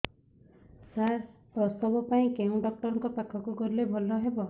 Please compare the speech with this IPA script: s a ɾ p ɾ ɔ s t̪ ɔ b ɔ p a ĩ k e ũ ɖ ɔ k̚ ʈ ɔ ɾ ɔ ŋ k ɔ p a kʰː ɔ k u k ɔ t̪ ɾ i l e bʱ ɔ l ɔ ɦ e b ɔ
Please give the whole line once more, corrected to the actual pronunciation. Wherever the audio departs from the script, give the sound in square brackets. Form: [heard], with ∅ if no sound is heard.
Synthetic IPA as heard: s a ɾ p ɾ ɔ s t̪ ɔ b ɔ p a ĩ k e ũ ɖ ɔ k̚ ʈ ɔ ɾ ɔ ŋ k ɔ p a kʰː ɔ k u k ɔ [∅] ɾ i l e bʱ ɔ l ɔ ɦ e b ɔ